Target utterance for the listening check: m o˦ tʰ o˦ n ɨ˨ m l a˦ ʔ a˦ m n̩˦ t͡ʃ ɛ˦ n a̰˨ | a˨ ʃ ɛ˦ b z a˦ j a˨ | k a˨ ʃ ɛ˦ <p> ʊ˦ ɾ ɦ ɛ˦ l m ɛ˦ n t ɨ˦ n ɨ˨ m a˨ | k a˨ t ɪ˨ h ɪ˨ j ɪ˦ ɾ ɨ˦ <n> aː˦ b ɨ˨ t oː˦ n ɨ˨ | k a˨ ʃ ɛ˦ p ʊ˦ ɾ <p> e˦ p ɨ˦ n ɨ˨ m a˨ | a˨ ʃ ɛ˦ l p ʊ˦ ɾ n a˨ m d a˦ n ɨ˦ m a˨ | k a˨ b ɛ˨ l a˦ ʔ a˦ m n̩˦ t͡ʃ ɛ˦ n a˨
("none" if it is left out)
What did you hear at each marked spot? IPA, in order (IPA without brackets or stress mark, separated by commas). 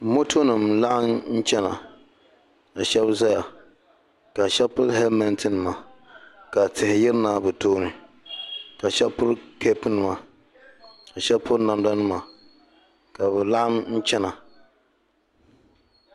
p, n, k